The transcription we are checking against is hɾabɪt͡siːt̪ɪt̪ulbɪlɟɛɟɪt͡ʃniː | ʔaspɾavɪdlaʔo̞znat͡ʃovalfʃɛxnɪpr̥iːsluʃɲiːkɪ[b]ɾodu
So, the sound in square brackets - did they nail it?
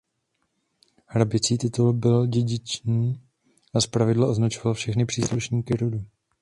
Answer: no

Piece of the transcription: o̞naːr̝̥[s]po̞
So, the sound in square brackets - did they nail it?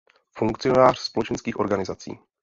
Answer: yes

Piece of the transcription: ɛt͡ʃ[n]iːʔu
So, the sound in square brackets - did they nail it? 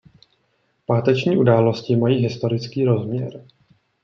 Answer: no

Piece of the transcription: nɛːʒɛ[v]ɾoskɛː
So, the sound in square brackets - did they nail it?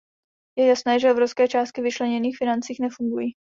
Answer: yes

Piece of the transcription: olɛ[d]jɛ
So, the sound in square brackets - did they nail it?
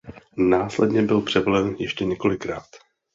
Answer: no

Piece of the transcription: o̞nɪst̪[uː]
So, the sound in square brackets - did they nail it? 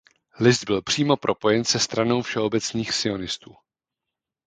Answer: yes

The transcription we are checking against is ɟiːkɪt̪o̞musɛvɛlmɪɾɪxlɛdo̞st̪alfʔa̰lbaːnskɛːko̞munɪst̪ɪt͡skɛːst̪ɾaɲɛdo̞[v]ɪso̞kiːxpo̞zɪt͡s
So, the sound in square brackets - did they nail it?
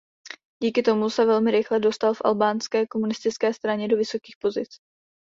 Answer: yes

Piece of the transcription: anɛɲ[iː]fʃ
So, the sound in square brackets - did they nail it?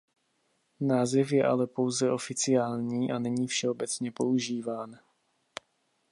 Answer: yes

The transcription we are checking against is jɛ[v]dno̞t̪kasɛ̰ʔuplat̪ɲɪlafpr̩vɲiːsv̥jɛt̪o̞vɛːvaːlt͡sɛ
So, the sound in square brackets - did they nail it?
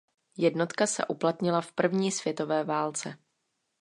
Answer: no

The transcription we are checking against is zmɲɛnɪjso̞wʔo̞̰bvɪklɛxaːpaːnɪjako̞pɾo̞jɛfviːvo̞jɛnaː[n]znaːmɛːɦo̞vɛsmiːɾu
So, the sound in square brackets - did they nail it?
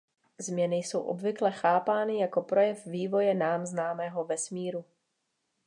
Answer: no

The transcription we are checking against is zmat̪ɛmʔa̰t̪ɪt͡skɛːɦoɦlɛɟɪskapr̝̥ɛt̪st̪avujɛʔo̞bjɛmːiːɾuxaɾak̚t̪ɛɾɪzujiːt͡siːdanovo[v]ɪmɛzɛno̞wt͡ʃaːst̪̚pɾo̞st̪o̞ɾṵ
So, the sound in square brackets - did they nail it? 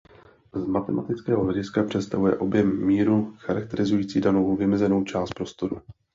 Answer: yes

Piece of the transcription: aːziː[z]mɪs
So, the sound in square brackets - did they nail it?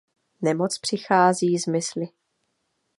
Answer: yes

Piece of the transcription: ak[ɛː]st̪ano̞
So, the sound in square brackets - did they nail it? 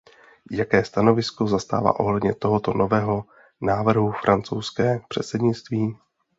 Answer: yes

